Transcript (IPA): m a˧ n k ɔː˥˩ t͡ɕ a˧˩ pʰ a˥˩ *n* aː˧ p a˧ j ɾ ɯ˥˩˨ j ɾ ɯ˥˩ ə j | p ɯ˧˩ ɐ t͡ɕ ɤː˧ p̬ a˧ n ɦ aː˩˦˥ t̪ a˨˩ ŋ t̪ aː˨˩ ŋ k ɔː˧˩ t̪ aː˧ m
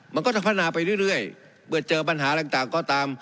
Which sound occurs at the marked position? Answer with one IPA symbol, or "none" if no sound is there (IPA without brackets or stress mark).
n